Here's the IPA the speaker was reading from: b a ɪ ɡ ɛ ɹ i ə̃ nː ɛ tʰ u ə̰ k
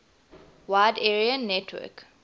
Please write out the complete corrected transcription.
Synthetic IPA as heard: w a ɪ d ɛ ɹ i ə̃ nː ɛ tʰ w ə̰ k